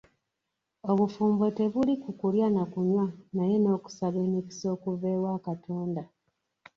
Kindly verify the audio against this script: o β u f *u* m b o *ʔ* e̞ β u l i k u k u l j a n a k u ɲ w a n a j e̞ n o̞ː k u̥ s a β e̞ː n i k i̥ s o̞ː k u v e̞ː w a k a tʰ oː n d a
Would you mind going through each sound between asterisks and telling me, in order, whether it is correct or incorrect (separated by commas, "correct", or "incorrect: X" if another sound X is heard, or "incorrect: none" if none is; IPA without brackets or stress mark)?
incorrect: uː, incorrect: t